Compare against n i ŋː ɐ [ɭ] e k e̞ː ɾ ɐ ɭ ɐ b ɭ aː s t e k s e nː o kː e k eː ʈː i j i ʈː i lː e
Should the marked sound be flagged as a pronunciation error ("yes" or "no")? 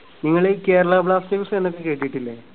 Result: no